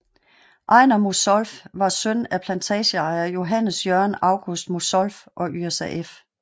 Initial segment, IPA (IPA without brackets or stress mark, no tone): ʔ